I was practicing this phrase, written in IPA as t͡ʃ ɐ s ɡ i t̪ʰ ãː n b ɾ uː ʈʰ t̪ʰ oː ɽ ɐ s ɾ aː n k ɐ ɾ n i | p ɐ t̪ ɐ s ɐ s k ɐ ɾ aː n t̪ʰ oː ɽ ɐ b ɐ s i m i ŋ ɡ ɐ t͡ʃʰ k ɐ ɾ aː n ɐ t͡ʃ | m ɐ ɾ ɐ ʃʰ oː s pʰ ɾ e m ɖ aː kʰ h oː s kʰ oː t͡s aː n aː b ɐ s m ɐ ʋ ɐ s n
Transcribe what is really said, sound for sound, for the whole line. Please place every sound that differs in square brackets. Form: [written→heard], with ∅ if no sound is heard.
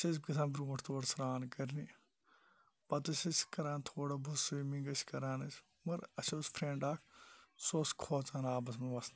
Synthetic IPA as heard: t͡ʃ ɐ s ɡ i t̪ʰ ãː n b ɾ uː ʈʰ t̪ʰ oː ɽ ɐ s ɾ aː n k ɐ ɾ n i | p ɐ t̪ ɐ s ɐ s k ɐ ɾ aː n t̪ʰ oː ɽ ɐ b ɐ s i m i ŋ ɡ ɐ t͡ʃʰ k ɐ ɾ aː n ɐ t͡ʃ | m ɐ ɾ ɐ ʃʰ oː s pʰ ɾ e [m→ɳ] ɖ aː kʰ [h→s] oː s kʰ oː t͡s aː n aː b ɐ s m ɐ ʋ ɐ s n